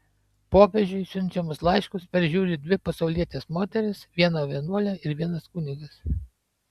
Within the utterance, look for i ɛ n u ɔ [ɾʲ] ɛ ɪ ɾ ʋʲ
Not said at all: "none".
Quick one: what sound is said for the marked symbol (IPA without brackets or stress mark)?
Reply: lʲ